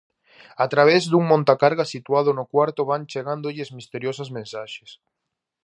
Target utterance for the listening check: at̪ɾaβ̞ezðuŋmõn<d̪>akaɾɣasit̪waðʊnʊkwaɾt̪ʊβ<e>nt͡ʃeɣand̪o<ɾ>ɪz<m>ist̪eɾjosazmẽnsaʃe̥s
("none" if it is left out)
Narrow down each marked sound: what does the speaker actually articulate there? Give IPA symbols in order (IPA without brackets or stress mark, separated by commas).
t̪, a, ʎ, m